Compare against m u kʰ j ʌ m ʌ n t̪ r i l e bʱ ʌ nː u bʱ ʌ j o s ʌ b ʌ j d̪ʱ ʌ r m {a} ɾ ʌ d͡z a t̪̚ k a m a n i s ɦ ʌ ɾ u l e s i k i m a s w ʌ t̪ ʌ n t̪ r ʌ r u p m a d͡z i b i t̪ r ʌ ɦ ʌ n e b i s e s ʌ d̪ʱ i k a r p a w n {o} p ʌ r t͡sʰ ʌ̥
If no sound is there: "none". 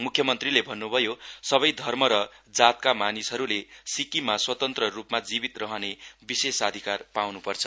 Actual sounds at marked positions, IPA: ʌ, u

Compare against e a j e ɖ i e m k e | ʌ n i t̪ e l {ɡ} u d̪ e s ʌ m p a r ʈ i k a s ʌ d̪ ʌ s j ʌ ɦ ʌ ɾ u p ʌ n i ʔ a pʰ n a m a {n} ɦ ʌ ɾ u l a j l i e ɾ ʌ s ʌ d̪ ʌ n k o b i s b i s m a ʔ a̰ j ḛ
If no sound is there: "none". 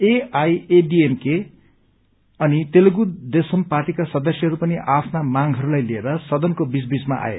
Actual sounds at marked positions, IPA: ɡ, ŋ

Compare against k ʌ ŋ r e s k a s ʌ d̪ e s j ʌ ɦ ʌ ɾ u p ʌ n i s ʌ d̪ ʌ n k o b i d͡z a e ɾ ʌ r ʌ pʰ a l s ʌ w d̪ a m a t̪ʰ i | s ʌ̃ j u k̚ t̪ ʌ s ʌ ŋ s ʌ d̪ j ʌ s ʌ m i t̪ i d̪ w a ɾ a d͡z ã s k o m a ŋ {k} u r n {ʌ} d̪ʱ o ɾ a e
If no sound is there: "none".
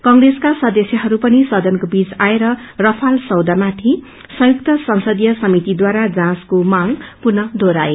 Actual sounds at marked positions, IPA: p, ʌ

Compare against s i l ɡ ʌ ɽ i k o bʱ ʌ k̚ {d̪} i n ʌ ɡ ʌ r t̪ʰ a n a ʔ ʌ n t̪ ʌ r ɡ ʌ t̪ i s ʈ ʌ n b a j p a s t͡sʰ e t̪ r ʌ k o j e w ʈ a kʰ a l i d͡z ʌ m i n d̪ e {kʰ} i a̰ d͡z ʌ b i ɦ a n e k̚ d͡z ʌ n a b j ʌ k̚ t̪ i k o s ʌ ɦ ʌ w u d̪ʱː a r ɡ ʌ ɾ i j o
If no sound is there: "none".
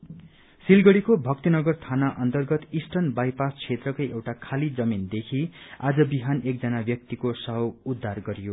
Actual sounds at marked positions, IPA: t̪, kʰ

